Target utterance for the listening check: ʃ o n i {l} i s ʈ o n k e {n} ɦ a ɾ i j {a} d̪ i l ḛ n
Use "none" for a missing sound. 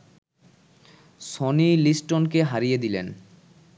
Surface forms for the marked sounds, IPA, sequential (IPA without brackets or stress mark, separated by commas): l, none, e